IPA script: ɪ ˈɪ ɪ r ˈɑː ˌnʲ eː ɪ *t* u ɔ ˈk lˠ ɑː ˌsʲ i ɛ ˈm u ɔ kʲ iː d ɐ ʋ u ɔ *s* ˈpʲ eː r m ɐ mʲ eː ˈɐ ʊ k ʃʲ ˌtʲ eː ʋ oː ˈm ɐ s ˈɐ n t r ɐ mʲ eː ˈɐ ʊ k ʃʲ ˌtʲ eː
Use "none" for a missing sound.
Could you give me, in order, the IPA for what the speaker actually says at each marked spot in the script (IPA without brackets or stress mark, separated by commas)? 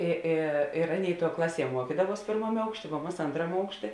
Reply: t, s